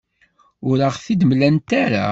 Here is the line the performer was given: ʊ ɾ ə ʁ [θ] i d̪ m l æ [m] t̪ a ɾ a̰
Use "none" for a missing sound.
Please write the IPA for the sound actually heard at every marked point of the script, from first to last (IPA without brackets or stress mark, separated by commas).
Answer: θ, n